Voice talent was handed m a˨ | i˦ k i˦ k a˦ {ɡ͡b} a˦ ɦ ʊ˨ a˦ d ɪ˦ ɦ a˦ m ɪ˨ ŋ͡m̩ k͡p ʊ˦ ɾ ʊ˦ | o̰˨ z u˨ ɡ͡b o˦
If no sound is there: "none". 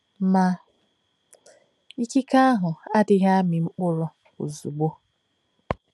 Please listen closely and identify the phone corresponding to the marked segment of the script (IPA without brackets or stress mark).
none